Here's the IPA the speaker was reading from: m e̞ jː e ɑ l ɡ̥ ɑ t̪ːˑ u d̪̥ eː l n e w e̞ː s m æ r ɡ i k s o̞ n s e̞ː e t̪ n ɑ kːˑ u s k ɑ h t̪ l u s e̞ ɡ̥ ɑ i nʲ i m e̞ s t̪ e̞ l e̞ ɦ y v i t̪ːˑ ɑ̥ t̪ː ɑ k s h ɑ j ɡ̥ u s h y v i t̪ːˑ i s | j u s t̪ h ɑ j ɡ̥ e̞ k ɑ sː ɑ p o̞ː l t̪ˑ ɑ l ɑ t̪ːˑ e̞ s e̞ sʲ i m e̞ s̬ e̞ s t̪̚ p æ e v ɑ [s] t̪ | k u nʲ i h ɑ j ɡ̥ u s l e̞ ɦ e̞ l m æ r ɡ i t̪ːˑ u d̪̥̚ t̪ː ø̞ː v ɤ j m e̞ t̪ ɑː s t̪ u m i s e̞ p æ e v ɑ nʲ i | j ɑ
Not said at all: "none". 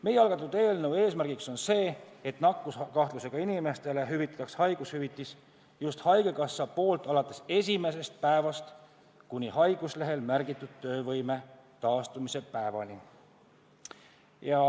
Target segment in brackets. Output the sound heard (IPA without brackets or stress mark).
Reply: s